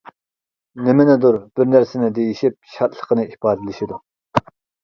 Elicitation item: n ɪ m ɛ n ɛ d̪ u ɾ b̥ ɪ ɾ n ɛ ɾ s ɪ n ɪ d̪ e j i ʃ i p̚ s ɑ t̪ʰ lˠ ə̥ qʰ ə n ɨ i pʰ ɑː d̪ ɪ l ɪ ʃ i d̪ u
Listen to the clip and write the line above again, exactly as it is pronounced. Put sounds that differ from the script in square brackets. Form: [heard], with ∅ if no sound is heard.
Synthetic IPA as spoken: n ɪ m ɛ n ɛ d̪ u ɾ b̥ ɪ ɾ n [æ] ɾ s ɪ n ɪ d̪ e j i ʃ i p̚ [ʃ] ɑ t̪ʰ lˠ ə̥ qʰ ə n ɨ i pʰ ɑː d̪ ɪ l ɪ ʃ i d̪ u